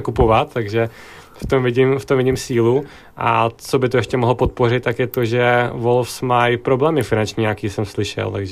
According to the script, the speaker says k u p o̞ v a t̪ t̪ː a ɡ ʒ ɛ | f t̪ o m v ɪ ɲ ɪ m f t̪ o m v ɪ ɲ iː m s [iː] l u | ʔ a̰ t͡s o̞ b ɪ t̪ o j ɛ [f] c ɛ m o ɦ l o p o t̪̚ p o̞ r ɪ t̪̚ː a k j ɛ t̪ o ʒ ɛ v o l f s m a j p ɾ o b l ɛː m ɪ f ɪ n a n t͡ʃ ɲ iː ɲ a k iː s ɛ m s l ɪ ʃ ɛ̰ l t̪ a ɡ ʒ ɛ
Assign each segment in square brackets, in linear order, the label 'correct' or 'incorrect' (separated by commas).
correct, incorrect